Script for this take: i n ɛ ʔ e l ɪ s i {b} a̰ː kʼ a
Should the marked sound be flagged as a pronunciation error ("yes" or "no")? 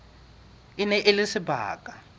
no